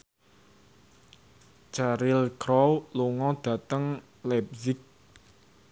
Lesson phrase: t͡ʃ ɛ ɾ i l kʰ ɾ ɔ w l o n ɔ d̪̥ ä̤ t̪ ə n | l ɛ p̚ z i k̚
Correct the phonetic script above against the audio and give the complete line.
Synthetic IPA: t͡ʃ a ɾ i l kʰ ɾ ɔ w l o ŋ ɔ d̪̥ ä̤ t̪ ə ŋ | l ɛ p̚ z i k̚